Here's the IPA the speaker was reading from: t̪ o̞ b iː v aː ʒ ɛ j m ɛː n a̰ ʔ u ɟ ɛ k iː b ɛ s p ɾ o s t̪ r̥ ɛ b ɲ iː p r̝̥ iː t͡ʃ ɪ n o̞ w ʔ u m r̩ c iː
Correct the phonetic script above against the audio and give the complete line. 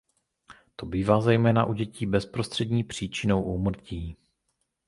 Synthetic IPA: t̪ o̞ b iː v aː z ɛ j m ɛː n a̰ ʔ u ɟ ɛ c iː b ɛ s p ɾ o s t̪ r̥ ɛ d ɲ iː p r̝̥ iː t͡ʃ ɪ n o̞ w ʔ u m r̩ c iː